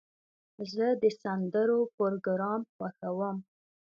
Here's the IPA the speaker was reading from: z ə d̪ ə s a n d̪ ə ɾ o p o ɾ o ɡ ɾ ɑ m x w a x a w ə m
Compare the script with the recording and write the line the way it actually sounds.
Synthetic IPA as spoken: z ə d̪ ə s a n d̪ ə ɾ o p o ɾ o ɡ ɾ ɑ m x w a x a w ə m